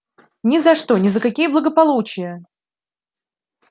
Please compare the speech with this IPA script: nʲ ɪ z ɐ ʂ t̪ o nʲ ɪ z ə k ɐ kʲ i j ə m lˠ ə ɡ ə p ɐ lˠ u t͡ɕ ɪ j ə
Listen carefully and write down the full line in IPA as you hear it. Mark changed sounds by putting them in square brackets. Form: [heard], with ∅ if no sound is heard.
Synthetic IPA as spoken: nʲ ɪ z ɐ ʂ t̪ o nʲ ɪ z ə k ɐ kʲ i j ə [b] lˠ ə ɡ ə p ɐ lˠ u t͡ɕ ɪ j ə

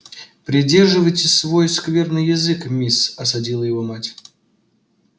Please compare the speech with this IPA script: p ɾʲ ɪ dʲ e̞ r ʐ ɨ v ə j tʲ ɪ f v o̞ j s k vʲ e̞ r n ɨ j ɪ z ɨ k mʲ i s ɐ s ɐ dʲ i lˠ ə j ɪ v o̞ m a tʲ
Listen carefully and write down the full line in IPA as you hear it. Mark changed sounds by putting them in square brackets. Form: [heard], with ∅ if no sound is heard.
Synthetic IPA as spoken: p ɾʲ ɪ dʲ e̞ r ʐ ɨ v ə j tʲ ɪ [s] v o̞ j s k vʲ e̞ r n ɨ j ɪ z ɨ k mʲ i s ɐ s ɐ dʲ i lˠ ə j ɪ v o̞ m a tʲ

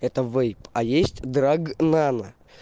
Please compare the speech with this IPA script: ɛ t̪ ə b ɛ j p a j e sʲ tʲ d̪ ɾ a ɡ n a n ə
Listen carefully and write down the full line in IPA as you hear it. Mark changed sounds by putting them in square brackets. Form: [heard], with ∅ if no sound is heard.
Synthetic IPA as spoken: ɛ t̪ ə [v] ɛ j p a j e sʲ tʲ d̪ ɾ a ɡ n a n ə

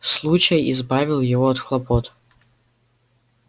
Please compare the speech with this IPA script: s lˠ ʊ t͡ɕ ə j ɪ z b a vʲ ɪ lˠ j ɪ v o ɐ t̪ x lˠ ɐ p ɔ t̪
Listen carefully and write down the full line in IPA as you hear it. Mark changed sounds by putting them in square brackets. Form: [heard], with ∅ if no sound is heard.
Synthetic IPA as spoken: s lˠ [u] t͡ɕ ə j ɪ z b a vʲ ɪ lˠ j ɪ v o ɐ t̪ x lˠ ɐ p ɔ t̪

